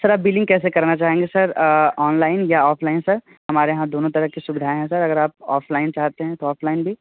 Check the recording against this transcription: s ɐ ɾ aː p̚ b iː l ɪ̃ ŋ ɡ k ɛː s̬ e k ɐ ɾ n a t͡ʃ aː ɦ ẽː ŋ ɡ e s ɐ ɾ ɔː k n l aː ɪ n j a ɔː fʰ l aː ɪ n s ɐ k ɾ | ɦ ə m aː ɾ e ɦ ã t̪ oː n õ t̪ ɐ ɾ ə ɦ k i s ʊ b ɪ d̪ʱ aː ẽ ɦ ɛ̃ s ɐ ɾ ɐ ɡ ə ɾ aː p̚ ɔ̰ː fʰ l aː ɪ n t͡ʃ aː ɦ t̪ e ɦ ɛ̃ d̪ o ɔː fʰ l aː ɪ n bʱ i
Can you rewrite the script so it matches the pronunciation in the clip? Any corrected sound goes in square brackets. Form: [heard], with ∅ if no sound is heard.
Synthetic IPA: s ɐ ɾ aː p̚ b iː l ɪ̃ ŋ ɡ k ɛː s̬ e k ɐ ɾ n a t͡ʃ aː ɦ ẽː ŋ ɡ e s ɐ ɾ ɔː [∅] n l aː ɪ n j a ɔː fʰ l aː ɪ n s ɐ [∅] ɾ | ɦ [ɐ] m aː ɾ e ɦ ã [d̪] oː n õ t̪ ɐ ɾ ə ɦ k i s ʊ b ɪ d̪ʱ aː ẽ ɦ ɛ̃ s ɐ ɾ ɐ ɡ ə ɾ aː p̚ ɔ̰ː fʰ l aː ɪ n t͡ʃ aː ɦ t̪ e ɦ ɛ̃ [t̪] o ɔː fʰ l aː ɪ n bʱ i